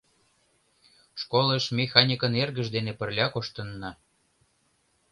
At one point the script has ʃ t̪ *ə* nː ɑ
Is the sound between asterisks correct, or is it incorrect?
correct